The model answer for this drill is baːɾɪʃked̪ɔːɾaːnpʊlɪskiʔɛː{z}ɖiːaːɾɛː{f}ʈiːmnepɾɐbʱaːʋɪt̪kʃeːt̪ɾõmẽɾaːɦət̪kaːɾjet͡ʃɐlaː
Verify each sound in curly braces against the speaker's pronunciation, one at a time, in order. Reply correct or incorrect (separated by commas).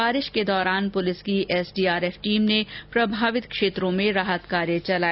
incorrect, correct